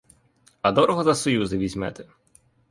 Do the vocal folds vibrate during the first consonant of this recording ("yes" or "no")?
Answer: yes